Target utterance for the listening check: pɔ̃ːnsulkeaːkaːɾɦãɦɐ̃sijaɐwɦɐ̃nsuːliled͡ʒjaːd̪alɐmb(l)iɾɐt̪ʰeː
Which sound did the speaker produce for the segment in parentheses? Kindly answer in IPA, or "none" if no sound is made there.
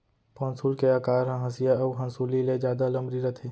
ɾ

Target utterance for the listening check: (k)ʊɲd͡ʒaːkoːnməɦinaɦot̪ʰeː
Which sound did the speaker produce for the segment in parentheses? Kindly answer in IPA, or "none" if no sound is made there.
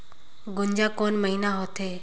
ɡ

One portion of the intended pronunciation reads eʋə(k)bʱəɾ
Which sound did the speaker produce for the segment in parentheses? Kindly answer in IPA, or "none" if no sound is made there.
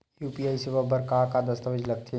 none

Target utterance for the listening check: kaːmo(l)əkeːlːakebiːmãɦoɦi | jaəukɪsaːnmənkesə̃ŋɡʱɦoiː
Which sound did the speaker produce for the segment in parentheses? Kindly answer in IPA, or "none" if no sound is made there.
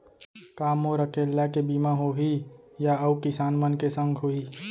ɾ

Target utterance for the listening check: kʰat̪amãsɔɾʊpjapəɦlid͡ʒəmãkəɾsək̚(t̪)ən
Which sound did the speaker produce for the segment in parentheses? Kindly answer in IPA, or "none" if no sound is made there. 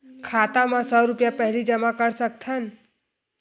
t̪ʰ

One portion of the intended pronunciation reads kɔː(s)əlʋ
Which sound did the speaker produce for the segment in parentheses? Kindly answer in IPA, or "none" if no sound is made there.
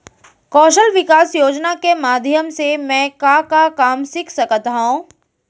ʃ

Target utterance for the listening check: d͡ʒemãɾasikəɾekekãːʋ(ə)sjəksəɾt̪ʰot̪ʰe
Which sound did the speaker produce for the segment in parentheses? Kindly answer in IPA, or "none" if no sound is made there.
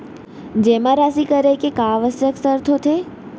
ə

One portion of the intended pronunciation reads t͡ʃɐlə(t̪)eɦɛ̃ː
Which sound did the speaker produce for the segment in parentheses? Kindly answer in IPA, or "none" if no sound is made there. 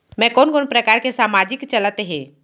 t̪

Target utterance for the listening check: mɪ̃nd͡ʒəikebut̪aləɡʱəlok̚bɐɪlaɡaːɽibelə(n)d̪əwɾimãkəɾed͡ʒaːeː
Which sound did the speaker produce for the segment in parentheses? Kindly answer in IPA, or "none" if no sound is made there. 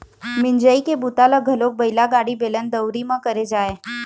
n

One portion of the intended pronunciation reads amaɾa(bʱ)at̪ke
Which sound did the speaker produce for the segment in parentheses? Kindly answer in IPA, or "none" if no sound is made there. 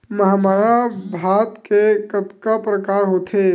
bʱ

